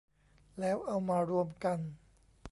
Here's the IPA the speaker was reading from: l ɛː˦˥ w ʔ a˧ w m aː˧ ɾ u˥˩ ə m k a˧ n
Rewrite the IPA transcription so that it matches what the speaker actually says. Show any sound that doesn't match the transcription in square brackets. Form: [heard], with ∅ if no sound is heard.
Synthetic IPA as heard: l ɛː˦˥ w ʔ a˧ w m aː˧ ɾ [u˧] ə m k a˧ n